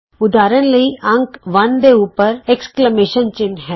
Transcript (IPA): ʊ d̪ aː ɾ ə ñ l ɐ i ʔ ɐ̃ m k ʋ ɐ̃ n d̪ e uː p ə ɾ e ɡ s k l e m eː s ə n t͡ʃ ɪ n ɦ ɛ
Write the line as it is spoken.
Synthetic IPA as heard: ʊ d̪ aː ɾ ə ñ l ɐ i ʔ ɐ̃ ŋ k ʋ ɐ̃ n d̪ e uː p ə ɾ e k s k l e m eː ʃ ə n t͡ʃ ɪ n ɦ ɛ